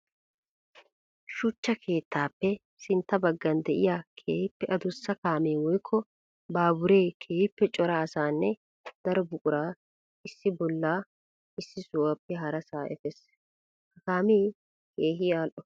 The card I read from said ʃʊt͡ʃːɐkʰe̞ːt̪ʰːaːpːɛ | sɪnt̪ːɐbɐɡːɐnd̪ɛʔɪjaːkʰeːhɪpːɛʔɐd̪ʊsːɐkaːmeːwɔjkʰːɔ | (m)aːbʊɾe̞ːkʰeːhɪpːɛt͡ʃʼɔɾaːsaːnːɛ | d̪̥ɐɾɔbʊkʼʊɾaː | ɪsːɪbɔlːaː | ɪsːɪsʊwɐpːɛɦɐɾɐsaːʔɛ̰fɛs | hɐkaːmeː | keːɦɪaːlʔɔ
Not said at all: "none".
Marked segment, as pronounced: b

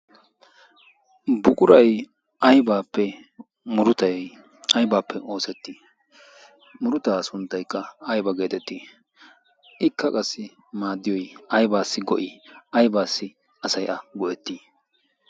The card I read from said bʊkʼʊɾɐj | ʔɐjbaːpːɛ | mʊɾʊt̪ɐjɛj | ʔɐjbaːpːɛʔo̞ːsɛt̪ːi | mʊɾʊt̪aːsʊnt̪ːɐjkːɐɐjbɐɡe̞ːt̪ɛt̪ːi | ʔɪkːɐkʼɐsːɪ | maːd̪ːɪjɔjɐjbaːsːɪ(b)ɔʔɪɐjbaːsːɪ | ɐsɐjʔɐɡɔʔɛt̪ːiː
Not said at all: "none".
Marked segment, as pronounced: ɡ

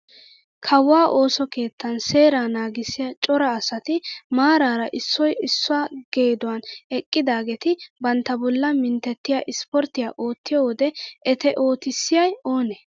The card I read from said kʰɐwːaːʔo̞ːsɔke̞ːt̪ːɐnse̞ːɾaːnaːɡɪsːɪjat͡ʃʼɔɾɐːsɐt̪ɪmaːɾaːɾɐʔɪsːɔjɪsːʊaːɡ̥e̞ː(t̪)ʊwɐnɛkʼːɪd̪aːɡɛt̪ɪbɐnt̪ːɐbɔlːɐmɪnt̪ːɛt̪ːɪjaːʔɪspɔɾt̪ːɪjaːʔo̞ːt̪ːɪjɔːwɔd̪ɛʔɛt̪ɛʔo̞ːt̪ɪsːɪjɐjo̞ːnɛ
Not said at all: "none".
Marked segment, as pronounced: d̪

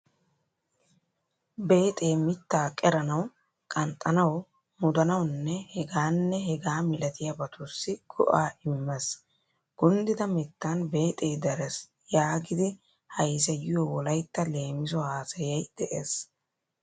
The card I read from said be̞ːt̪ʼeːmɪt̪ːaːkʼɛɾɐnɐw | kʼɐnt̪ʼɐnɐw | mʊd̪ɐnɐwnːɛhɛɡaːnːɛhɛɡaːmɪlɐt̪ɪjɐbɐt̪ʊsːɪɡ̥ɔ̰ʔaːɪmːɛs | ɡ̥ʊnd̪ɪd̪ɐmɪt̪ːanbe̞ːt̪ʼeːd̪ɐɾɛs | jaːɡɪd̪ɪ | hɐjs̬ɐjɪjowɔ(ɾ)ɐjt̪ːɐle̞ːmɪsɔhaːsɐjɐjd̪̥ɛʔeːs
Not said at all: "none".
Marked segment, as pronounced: l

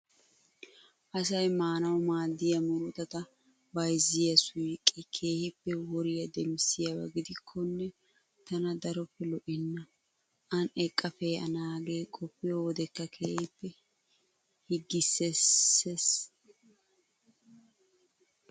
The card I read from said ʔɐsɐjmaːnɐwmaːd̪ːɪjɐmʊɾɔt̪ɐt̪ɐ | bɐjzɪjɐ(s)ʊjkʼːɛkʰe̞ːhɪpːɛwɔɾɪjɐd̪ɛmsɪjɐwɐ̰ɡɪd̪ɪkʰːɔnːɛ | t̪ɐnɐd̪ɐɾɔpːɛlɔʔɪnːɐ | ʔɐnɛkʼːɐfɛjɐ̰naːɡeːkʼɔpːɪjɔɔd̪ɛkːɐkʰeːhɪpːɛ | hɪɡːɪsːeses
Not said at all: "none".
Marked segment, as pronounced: s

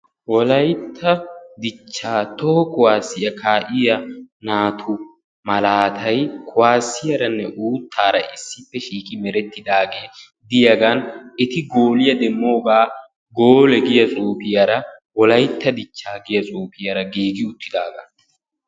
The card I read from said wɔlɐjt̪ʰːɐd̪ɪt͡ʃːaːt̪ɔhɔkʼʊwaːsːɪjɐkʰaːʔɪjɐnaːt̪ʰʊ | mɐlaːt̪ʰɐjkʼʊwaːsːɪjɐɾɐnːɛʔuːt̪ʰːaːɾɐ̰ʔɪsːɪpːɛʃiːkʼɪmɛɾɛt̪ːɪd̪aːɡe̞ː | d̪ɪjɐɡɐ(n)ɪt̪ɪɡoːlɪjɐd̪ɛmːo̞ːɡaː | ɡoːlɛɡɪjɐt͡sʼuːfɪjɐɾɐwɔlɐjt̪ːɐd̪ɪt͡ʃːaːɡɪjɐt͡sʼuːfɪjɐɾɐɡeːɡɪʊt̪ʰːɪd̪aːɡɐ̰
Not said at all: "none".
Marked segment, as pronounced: n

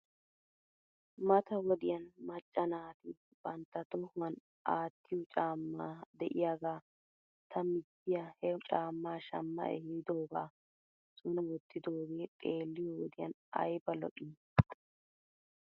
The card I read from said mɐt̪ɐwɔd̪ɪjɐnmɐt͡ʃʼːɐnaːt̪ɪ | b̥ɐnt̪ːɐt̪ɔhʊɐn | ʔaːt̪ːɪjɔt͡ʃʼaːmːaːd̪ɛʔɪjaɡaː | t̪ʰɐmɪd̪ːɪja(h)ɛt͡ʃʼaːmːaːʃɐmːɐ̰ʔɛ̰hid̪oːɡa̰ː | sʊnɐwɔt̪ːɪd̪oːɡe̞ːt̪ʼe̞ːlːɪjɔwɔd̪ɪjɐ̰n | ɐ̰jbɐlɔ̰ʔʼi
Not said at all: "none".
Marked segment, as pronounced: h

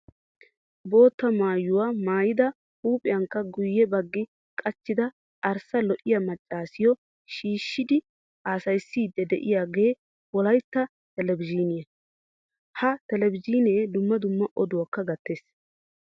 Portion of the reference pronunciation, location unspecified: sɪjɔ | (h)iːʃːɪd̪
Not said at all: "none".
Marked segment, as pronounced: ʃ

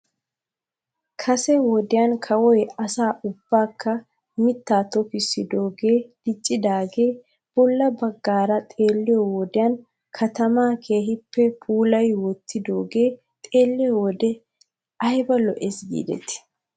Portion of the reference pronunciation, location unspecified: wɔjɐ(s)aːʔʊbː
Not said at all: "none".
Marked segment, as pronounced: s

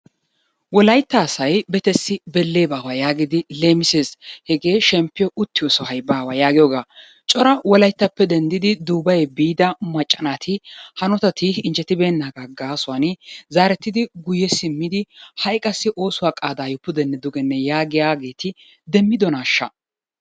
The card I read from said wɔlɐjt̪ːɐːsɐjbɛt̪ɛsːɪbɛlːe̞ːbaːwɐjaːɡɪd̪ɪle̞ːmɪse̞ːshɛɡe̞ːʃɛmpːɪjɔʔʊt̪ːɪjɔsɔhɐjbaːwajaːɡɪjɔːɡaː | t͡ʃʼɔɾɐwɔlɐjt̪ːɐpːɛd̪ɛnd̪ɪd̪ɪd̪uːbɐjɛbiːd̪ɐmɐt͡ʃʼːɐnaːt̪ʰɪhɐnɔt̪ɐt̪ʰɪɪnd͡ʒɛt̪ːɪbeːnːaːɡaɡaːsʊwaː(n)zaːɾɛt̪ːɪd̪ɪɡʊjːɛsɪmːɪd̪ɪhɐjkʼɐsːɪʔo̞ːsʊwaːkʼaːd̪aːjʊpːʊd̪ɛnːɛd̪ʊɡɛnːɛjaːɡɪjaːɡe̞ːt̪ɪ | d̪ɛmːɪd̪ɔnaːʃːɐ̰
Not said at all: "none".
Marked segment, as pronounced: n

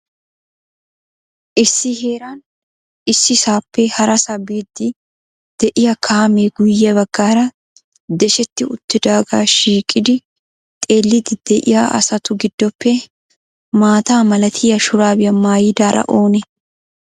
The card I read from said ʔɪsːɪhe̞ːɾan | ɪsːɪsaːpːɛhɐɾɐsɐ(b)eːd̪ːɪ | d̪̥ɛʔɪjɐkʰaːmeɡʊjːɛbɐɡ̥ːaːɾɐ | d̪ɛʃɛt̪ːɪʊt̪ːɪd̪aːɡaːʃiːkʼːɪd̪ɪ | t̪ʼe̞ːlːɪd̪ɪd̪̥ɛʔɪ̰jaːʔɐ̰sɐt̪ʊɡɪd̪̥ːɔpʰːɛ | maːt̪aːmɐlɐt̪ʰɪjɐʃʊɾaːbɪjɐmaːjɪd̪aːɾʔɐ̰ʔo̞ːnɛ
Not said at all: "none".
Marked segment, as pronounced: b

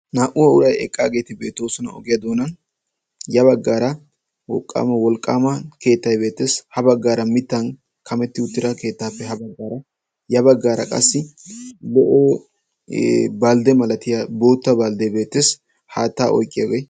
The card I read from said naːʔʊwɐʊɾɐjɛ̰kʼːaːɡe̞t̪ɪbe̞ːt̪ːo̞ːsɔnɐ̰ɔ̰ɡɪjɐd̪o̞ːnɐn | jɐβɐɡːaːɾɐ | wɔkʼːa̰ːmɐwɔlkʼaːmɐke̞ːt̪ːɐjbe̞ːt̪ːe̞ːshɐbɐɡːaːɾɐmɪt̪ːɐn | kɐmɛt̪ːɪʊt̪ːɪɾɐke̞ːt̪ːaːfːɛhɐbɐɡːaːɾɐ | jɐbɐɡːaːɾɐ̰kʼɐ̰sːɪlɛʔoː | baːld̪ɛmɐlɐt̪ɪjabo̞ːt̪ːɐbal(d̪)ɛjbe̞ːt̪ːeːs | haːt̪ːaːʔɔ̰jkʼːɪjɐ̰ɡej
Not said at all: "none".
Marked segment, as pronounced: d̪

